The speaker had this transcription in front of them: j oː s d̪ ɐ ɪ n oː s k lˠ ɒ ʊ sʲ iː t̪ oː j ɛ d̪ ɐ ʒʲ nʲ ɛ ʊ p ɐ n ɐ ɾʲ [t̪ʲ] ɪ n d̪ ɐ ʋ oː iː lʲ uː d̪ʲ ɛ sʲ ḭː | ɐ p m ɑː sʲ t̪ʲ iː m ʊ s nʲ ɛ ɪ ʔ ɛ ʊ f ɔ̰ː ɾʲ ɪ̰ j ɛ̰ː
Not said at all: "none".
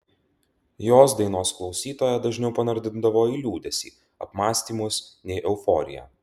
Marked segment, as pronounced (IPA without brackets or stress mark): d̪ʲ